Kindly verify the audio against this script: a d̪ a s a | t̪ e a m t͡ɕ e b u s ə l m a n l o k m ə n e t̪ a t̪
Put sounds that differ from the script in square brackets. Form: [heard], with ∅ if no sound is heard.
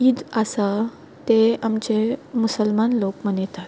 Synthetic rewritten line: [i] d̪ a s a | t̪ e a m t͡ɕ e [m] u s ə l m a n l o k m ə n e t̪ a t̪

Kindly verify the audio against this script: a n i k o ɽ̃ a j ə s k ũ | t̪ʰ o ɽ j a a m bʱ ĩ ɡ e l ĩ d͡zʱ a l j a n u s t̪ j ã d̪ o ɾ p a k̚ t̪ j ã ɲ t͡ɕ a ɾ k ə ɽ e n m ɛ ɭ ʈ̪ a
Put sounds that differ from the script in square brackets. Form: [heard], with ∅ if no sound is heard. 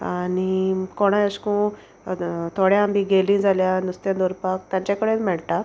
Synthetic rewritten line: a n i k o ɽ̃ a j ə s k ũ | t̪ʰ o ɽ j a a m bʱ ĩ ɡ e l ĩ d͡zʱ a l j a n u s t̪ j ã d̪ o ɾ p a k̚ t̪ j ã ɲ t͡ɕ a [∅] k ə ɽ e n m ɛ ɭ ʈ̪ a

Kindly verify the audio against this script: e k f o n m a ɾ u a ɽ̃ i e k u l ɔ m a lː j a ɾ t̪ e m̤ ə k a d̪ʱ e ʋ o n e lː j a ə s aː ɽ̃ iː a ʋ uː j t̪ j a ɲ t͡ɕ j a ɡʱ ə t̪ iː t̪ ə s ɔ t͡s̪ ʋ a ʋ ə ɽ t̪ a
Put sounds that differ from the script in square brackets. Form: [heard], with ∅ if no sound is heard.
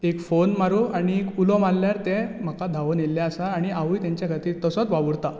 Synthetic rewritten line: e k f o n m a ɾ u a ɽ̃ i e k u l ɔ m a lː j a ɾ t̪ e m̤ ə k a d̪ʱ [a] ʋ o n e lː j a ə s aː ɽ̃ [i] a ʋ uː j t̪ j a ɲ t͡ɕ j a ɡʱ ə t̪ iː t̪ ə s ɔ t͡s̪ ʋ a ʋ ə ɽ t̪ a

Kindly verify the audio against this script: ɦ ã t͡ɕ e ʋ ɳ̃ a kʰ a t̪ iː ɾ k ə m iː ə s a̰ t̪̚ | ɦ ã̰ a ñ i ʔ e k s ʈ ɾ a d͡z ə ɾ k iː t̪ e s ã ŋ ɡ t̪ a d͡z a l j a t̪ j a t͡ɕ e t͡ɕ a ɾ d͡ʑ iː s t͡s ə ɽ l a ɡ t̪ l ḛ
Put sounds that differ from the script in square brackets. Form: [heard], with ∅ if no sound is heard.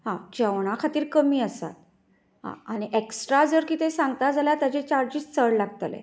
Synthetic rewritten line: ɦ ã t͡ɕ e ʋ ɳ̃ a kʰ a t̪ iː ɾ k ə m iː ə s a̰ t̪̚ | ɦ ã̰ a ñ i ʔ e k s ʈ ɾ a d͡z ə ɾ k iː t̪ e s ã ŋ ɡ t̪ a d͡z a l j a t̪ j a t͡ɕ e t͡ɕ a ɾ d͡ʑ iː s t͡s ə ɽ l a ɡ t̪ l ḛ

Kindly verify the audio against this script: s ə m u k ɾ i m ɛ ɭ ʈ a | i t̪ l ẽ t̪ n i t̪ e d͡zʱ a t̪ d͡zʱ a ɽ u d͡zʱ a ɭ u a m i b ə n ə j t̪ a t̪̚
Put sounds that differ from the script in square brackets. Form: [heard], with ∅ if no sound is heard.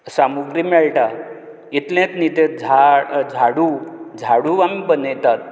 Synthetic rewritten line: s [a] m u [ɡ] ɾ i m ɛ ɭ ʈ a | i t̪ l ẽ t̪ n i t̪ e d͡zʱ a [∅] d͡zʱ a ɽ u d͡zʱ a [ɽ] u a m i b ə n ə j t̪ a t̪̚

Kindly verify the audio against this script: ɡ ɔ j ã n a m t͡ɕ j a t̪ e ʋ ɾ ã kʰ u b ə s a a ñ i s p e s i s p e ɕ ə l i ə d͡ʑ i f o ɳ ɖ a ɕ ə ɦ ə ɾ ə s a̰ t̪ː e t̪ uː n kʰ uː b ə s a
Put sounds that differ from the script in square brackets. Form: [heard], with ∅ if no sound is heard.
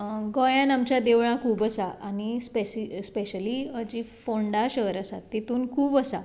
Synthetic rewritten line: ɡ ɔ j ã n a m t͡ɕ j a [d̪] e ʋ [ɭ] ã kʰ [uː] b ə s a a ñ i s p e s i s p e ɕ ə l i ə d͡ʑ i f o ɳ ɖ a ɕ ə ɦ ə ɾ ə s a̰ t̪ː e t̪ uː n kʰ uː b ə s a

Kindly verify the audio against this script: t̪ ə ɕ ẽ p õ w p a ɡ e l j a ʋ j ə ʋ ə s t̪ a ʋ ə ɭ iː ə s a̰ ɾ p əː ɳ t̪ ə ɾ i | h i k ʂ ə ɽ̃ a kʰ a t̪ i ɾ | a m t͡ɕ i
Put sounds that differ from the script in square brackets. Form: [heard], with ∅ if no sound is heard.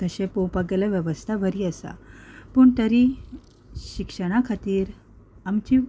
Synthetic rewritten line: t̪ ə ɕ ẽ p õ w p a ɡ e l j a ʋ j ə ʋ ə s [t̪ʰ] a ʋ ə [ɾ] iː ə s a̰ [∅] p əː ɳ t̪ ə ɾ i | [ɕ] i k ʂ ə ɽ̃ a kʰ a t̪ [iː] ɾ | a m t͡ɕ i

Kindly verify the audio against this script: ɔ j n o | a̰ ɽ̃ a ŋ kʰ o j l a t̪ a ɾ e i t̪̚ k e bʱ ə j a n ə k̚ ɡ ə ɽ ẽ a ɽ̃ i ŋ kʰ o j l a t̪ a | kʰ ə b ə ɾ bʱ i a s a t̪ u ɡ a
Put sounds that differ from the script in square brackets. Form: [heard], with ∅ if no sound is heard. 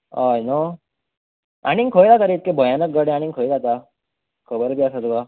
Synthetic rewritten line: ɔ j n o | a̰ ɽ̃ [i] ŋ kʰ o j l a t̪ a ɾ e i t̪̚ k e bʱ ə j a n ə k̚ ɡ ə ɽ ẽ a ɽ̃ i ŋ kʰ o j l a t̪ a | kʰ ə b ə ɾ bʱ i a s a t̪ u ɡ a

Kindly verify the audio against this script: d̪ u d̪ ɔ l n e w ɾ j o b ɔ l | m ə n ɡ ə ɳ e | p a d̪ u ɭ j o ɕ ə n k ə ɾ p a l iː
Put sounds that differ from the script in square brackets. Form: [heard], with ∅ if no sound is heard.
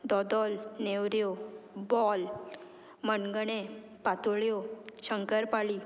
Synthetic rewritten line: d̪ [ɔ] d̪ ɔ l n e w ɾ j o b ɔ l | m ə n ɡ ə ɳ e | p a [t̪] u ɭ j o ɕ ə [ŋ] k ə ɾ p a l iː

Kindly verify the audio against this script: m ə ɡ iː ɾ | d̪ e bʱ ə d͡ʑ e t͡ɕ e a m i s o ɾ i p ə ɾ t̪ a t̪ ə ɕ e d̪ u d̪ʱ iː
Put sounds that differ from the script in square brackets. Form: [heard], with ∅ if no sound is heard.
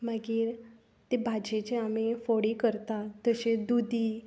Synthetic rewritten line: m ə ɡ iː ɾ | [t̪] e bʱ [a] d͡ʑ e t͡ɕ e a m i [f] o [ɽ] i [k] ə ɾ t̪ a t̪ ə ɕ e d̪ u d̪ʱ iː

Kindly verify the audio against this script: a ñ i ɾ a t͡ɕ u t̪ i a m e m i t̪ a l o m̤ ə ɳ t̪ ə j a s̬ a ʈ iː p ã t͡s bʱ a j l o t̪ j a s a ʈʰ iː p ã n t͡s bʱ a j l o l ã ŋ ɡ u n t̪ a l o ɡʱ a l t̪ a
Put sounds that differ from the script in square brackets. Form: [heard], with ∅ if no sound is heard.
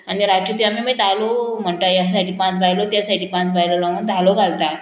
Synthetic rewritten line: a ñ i ɾ a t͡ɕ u t̪ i a m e m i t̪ a l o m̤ ə ɳ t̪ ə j a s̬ a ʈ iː p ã t͡s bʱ a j l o t̪ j a s a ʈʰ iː p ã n t͡s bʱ a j l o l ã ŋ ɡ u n t̪ a l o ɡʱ a l t̪ a

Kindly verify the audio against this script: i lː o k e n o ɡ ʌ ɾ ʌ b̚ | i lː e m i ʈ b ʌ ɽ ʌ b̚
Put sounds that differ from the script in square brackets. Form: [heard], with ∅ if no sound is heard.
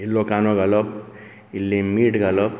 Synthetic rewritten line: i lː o k [a] n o ɡ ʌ [l] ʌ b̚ | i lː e m i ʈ [ɡ] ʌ [l] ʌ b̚

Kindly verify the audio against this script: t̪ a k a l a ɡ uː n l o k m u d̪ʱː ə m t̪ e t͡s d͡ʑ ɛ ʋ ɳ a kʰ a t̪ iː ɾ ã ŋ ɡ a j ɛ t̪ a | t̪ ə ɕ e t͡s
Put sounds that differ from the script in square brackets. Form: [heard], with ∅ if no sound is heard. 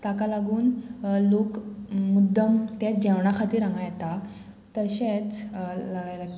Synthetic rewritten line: t̪ a k a l a ɡ uː n l o k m u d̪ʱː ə m t̪ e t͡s d͡ʑ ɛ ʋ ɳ a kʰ a t̪ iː ɾ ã ŋ ɡ a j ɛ t̪ a | t̪ ə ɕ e t͡s

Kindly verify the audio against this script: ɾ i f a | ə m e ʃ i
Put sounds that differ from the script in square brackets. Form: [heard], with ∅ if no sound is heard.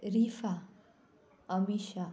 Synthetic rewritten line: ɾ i f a | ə m [i] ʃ [a]

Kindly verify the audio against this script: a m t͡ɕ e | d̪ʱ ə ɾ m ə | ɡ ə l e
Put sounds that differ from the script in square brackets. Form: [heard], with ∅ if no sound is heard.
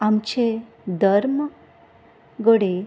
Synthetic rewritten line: a m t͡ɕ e | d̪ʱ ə ɾ m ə | ɡ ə [ɽ] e

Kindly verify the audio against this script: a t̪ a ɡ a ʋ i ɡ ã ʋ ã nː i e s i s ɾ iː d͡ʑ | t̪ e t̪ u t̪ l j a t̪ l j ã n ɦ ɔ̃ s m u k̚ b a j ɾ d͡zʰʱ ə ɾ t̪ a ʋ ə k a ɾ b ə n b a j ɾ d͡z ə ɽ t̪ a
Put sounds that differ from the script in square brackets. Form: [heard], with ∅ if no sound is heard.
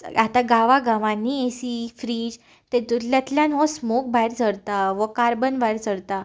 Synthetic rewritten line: a t̪ a ɡ a ʋ [a] ɡ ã ʋ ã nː i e s i [f] ɾ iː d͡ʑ | t̪ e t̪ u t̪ l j a t̪ l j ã n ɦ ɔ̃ s m [o] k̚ b a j ɾ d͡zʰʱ ə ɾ t̪ a ʋ ə k a ɾ b ə n b a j ɾ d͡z ə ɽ t̪ a

